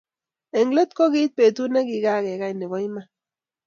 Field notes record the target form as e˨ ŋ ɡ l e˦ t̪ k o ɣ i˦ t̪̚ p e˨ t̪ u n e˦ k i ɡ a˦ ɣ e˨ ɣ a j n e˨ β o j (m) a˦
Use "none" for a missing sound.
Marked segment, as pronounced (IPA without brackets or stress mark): m